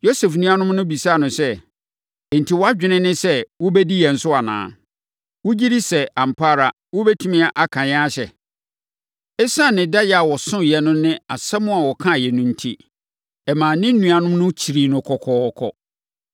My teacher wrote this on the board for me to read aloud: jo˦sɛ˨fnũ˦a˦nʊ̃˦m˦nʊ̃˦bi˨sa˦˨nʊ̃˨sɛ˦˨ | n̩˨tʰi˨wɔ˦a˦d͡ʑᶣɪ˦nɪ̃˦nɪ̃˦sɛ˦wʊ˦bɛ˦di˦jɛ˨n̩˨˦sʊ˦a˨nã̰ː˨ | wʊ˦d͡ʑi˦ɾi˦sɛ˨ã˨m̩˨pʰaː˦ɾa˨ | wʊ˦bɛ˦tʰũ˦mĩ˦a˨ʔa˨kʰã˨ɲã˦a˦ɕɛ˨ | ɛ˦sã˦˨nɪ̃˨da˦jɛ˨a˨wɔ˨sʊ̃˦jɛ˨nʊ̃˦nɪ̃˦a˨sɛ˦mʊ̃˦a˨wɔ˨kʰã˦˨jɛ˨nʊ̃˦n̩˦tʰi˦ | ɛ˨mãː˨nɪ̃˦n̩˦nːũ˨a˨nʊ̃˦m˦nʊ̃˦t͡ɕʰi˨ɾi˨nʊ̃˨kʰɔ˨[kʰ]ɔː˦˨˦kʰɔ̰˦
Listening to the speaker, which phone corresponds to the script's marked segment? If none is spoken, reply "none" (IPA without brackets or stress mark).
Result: kʰ